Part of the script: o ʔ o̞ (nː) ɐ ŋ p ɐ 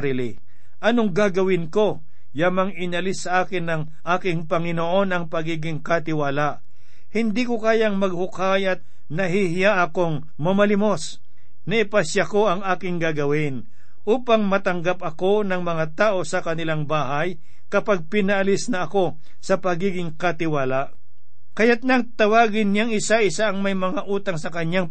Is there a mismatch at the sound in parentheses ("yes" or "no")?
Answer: yes